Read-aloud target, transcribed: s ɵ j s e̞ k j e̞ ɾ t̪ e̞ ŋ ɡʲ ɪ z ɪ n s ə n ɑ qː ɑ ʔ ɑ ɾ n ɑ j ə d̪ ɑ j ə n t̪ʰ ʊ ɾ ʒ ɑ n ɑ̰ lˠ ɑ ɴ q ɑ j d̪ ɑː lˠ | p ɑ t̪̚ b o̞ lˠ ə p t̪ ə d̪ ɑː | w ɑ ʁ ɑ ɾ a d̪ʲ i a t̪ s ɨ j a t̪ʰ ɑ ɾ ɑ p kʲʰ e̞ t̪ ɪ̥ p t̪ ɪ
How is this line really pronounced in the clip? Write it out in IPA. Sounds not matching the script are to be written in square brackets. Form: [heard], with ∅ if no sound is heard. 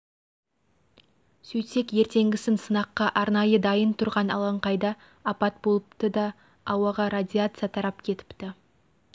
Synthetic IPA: s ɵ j s e̞ k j e̞ ɾ t̪ e̞ ŋ ɡʲ ɪ [s] ɪ n s ə n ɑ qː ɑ ʔ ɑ ɾ n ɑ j ə d̪ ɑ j ə n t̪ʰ ʊ ɾ [ʁ] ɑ n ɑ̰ lˠ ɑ ɴ q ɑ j d̪ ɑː [∅] | p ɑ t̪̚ b o̞ lˠ ə p t̪ ə d̪ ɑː | w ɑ ʁ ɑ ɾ a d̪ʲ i a t̪ s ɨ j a t̪ʰ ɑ ɾ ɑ p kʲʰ e̞ t̪ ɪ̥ p t̪ ɪ